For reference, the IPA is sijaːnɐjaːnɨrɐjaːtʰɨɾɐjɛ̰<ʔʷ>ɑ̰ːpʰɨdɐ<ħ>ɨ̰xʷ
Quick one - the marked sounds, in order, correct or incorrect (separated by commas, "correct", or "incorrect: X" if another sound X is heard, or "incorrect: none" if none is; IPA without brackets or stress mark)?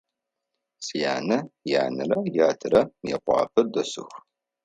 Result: incorrect: qʷ, incorrect: s